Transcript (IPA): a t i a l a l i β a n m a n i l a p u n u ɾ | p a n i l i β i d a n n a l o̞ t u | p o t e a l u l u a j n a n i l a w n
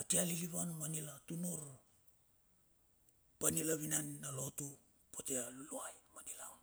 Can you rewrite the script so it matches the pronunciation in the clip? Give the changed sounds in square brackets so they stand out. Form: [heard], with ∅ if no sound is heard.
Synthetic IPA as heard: a t i a l [i] l i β a n m a n i l a [t] u n u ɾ | p a n i l [a] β i [n] a n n a l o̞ t u | p o t e a l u l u a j [m] a n i l a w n